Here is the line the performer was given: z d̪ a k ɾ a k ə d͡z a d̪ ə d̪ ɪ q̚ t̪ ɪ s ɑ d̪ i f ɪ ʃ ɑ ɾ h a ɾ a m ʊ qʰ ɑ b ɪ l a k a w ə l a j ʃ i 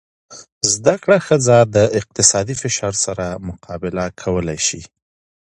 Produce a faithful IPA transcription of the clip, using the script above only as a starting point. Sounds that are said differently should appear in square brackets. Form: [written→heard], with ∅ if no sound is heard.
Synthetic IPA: z d̪ a k [ɾ→ɽ] a [k→x] ə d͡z a d̪ ə [d̪→∅] ɪ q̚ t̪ ɪ s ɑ d̪ i f ɪ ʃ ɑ ɾ [h→s] a ɾ a m ʊ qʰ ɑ b ɪ l a [k→kʰ] a w ə l a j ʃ i